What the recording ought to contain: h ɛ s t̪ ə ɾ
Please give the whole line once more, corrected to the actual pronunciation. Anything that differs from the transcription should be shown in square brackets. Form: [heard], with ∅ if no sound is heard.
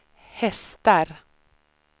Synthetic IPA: h ɛ s t̪ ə ɾ

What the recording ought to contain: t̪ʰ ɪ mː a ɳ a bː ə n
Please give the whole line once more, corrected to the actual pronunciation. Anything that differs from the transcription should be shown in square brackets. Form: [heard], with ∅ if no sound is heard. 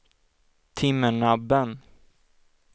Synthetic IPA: t̪ʰ ɪ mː [ə] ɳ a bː ə n

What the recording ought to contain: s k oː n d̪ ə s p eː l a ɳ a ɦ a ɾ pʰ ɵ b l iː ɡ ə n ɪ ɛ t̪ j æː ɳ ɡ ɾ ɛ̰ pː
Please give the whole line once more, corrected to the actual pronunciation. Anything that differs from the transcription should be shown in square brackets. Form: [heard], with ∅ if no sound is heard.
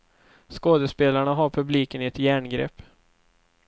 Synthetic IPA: s k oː [∅] d̪ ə s p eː l a ɳ a ɦ a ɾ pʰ ɵ b l iː [k] ə n ɪ ɛ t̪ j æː ɳ ɡ ɾ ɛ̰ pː

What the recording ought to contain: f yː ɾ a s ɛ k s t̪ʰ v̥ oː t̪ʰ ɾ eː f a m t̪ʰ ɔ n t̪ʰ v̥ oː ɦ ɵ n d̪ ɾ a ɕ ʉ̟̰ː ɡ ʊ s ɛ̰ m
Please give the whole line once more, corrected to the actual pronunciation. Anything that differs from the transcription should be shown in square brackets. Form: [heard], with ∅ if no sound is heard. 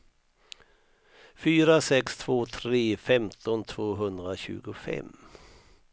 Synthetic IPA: f yː ɾ a s ɛ k s t̪ʰ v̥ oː t̪ʰ ɾ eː f [ɛ] m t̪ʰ ɔ n t̪ʰ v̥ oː ɦ ɵ n d̪ ɾ a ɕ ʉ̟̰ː ɡ ʊ [f] ɛ̰ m

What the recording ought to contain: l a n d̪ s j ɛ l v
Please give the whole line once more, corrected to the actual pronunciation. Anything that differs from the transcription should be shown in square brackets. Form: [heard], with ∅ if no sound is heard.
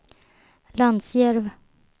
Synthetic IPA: l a n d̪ s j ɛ [ɾ] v

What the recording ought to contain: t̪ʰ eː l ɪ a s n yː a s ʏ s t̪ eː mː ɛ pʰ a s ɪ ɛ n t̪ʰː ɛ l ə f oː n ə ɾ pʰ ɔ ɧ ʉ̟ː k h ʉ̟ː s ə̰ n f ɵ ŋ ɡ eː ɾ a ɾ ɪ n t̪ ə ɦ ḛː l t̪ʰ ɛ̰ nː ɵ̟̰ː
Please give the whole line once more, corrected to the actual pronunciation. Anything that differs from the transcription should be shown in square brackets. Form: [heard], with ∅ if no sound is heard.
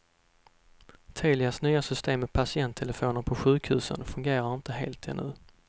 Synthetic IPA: t̪ʰ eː l ɪ a s n yː a s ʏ s t̪ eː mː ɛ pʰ a s ɪ ɛ n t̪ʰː ɛ l ə f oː n ə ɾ pʰ ɔ ɧ ʉ̟ː k h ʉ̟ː s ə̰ n f ɵ ŋ ɡ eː ɾ a ɾ ɪ n t̪ ə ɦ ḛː l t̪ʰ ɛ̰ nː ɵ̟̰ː

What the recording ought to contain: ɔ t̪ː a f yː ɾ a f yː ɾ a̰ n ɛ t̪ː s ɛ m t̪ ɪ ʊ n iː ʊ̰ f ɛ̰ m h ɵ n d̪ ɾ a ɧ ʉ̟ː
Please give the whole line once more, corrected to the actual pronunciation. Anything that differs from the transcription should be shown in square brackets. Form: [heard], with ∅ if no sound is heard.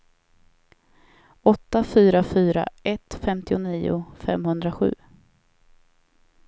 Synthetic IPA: ɔ t̪ː a f yː ɾ a f yː ɾ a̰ [∅] ɛ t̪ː [f] ɛ m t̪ ɪ ʊ n iː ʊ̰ f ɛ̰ m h ɵ n d̪ ɾ a ɧ ʉ̟ː

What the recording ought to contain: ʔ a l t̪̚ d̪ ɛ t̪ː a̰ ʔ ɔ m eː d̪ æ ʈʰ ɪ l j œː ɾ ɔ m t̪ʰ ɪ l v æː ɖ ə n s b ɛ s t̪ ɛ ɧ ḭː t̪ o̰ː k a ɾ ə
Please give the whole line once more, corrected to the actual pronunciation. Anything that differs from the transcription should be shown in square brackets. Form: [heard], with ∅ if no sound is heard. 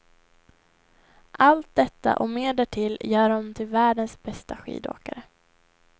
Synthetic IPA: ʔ a l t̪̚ d̪ ɛ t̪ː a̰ ʔ ɔ m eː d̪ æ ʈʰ ɪ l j œː ɾ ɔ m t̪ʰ ɪ l v æː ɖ ə n s b ɛ s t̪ [a] ɧ ḭː [d̪] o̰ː k a ɾ ə

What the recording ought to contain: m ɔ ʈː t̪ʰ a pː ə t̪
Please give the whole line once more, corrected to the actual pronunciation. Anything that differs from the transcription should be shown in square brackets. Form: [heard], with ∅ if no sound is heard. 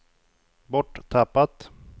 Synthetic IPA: [b] ɔ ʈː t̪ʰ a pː [a] t̪

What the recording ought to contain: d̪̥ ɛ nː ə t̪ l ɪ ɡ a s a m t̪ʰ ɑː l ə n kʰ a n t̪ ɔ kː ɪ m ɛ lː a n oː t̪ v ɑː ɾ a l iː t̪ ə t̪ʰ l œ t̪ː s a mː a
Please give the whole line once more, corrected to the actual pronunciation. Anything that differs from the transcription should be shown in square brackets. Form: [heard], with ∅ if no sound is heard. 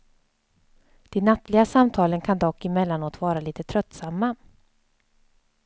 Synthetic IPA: d̪̥ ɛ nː [a] t̪ l ɪ ɡ a s a m t̪ʰ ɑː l ə n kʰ a n [d̪] ɔ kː ɪ m ɛ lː a n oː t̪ v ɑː ɾ a l iː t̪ ə t̪ʰ [ɾ] œ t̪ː s a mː a

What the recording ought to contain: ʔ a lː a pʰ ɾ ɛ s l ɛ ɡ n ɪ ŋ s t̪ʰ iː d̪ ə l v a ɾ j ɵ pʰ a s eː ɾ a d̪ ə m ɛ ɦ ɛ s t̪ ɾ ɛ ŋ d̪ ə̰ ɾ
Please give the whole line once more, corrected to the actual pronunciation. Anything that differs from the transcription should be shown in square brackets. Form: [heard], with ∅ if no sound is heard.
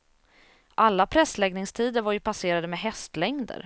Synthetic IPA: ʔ a lː a pʰ ɾ ɛ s l ɛ ɡ n ɪ ŋ s t̪ʰ iː d̪ ə [ɾ] v a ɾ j ɵ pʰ a s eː ɾ a d̪ ə m ɛ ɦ ɛ s t̪ [l] ɛ ŋ d̪ ə̰ ɾ

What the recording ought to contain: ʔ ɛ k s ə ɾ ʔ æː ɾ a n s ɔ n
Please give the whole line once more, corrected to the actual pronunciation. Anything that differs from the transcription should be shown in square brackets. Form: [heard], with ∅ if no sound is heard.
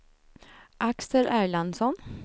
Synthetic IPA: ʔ [a] k s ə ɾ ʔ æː [ɭ] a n s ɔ n

